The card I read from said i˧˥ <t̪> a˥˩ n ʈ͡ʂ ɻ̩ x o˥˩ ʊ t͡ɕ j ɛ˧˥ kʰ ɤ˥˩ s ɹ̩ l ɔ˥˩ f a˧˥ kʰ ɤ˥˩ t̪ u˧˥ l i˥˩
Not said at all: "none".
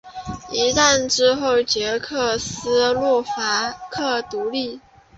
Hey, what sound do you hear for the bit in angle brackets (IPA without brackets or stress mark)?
t̪